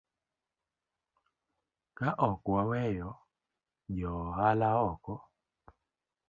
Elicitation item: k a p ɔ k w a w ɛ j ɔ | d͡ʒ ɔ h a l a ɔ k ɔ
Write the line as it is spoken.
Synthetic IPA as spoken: k a ʔ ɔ k w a w ɛ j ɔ | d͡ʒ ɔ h a l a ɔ k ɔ

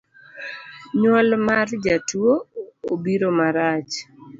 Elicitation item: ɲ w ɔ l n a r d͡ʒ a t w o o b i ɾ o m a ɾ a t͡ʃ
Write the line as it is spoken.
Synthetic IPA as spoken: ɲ w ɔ l m a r d͡ʒ a t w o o b i ɾ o m a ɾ a t͡ʃ

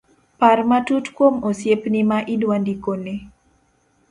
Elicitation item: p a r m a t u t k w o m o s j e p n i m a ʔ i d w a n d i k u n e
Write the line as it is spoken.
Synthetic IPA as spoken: p a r m a t u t k w o m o s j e p n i m a ʔ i d w a n d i k o n e

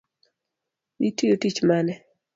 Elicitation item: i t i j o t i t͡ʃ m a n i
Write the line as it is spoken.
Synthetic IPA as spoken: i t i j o t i t͡ʃ m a n ɛ

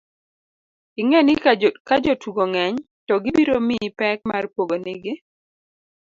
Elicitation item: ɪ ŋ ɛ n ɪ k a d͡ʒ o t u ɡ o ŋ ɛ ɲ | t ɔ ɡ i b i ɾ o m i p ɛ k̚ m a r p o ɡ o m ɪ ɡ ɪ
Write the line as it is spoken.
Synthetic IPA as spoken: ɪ ŋ ɛ n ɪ k a d͡ʒ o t u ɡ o ŋ ɛ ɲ | t ɔ ɡ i b i ɾ o m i p ɛ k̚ m a r p o ɡ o n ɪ ɡ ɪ

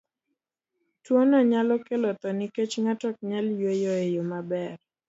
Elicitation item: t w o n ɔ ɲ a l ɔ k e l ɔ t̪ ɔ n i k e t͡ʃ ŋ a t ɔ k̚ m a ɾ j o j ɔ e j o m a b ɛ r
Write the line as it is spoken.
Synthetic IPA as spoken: t w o n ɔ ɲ a l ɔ k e l ɔ t̪ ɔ n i k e t͡ʃ ŋ a t ɔ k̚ ɲ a l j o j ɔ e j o m a b ɛ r

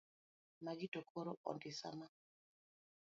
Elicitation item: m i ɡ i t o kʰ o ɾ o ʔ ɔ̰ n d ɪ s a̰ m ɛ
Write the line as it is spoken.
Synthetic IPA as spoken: m a ɡ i t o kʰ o ɾ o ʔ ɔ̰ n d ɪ s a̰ m a

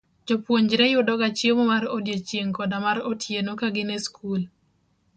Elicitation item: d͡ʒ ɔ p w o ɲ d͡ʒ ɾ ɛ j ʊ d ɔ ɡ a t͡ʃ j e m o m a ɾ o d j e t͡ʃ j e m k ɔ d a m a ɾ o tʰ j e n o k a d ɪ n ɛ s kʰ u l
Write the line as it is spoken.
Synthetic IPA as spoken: d͡ʒ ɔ p w o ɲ d͡ʒ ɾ ɛ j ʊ d ɔ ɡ a t͡ʃ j e m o m a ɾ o d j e t͡ʃ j e ŋ k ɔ d a m a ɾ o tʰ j e n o k a ɡ ɪ n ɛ s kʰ u l

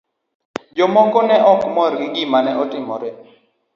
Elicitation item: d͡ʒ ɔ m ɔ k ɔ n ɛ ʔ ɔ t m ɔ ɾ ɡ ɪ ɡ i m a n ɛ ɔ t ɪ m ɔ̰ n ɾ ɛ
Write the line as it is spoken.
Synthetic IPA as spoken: d͡ʒ ɔ m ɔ k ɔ n ɛ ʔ ɔ k m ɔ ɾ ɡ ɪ ɡ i m a n ɛ ɔ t ɪ m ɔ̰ ɾ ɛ

